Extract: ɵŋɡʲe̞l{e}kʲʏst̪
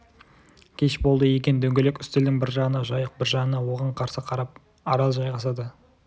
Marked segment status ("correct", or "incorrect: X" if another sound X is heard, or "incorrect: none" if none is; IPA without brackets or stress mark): correct